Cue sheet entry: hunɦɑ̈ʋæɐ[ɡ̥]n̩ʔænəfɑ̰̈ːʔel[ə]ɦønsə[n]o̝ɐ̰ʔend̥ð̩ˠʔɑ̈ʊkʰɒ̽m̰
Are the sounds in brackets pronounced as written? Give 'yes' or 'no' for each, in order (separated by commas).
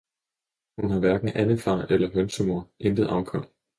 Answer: yes, no, no